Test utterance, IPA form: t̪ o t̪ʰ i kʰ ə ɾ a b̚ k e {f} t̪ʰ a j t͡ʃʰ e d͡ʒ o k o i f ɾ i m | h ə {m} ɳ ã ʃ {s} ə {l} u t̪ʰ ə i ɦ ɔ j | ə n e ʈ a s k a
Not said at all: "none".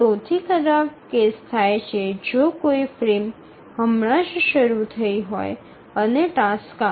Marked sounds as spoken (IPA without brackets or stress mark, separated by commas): s, m, ʃ, ɾ